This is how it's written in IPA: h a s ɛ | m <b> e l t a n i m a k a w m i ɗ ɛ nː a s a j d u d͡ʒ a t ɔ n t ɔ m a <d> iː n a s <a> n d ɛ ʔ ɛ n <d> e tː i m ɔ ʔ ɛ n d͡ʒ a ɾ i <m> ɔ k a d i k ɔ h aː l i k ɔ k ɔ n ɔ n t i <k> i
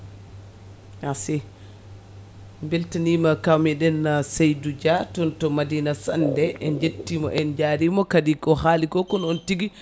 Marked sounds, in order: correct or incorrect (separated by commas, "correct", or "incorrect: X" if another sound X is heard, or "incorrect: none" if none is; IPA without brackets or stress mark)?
correct, correct, correct, incorrect: d͡ʒ, correct, incorrect: ɡ